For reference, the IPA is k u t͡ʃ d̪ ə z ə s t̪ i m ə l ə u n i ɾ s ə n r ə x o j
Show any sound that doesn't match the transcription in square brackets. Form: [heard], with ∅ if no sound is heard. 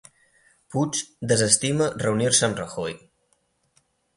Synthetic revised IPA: [p] u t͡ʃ d̪ ə z ə s t̪ i m ə [r] ə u n i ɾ s ə n r ə x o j